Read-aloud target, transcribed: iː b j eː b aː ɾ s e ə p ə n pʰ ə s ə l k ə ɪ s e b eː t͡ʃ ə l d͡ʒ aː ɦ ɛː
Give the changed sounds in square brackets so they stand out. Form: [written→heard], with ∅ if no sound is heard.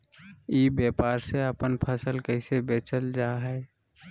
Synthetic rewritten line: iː b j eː [b→p] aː ɾ s e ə p ə n pʰ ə s ə l k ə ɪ s e b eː t͡ʃ ə l d͡ʒ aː ɦ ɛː

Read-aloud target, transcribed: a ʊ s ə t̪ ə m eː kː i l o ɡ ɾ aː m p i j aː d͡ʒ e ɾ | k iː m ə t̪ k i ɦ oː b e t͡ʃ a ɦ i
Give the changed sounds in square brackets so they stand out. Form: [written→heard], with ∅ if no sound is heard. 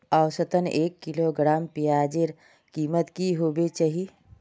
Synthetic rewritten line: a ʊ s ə t̪ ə [m→n] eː kː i l o ɡ ɾ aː m p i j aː d͡ʒ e ɾ | k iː m ə t̪ k i ɦ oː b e t͡ʃ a ɦ i

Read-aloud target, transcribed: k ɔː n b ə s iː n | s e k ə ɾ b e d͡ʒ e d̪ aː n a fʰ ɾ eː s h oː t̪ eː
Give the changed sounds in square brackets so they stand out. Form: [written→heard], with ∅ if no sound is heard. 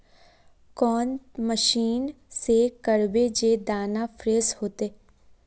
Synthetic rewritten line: k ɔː n [b→m] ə [s→ʃ] iː n | s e k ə ɾ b e d͡ʒ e d̪ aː n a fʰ ɾ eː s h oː t̪ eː

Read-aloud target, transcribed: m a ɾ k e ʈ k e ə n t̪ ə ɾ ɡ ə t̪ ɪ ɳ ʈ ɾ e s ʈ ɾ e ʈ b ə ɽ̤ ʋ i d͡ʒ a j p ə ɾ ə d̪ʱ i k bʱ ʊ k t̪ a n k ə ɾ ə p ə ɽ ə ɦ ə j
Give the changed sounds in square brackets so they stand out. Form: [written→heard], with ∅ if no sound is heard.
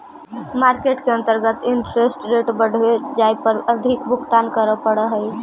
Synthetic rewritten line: m a ɾ k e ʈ k e ə n t̪ ə ɾ ɡ ə t̪ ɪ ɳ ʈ ɾ e s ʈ ɾ e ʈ b ə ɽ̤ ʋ [i→e] d͡ʒ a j p ə ɾ ə d̪ʱ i k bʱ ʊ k t̪ a n k ə ɾ ə p ə ɽ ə ɦ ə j

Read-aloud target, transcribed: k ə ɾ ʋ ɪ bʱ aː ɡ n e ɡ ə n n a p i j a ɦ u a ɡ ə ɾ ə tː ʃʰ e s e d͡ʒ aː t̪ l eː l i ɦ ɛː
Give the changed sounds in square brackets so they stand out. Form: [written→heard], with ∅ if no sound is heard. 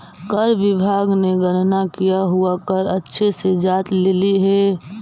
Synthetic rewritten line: k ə ɾ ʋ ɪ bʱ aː ɡ n e ɡ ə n n a [p→k] i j a ɦ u a [ɡ→k] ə ɾ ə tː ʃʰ e s e d͡ʒ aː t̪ l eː l i ɦ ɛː

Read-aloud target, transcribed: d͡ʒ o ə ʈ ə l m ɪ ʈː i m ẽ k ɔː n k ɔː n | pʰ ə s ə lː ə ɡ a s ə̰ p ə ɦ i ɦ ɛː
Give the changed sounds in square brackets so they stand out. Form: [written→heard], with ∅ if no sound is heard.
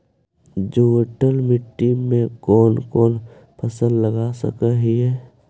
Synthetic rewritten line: d͡ʒ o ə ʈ ə l m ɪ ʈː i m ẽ k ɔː n k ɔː n | pʰ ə s ə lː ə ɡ a s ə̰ [p→k] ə ɦ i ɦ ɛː

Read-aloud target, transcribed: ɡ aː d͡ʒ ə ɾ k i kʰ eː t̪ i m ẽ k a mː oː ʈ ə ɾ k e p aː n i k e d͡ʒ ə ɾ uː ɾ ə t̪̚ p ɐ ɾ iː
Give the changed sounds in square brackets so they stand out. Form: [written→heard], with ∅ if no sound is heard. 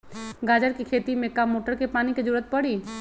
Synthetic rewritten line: ɡ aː d͡ʒ ə ɾ k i kʰ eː t̪ i m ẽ k a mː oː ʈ ə ɾ k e p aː n i k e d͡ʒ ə ɾ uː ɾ ə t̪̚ p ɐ [ɾ→ɽ] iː

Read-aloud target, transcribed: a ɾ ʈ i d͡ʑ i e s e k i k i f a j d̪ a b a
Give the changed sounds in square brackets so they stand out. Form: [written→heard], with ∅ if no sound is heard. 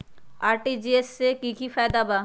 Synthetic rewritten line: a ɾ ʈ i d͡ʑ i e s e k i k i f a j d̪ a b a

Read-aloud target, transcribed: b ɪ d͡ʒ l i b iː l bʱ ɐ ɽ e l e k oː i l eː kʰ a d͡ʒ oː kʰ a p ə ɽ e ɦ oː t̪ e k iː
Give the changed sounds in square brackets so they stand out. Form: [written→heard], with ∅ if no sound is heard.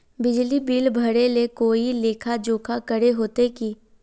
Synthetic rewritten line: b ɪ d͡ʒ l i b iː l bʱ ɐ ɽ e l e k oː i l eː kʰ a d͡ʒ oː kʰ a [p→k] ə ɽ e ɦ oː t̪ e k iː

